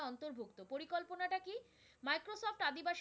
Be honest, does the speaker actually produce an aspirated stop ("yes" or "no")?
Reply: no